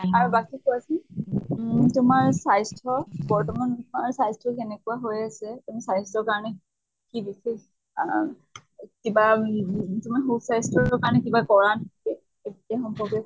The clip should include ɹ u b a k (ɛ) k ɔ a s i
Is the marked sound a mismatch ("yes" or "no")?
yes